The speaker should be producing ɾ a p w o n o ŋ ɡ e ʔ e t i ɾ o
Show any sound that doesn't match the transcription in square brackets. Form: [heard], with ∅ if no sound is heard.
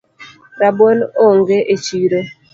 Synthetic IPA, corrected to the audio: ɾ a [b] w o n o ŋ ɡ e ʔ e [t͡ʃ] i ɾ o